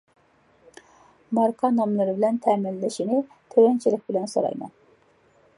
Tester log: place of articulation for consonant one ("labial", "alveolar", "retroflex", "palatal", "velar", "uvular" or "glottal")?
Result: labial